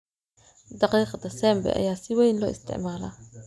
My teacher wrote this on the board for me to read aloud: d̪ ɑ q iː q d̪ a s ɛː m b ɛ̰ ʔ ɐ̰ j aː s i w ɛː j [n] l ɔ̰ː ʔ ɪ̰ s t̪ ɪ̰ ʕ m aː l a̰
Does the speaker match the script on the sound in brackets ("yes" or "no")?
yes